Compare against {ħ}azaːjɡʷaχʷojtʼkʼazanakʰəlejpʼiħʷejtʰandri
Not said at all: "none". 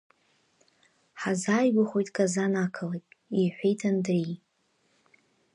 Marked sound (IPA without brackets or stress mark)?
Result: ħ